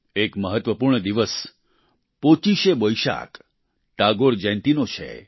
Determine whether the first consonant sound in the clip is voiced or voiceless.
voiceless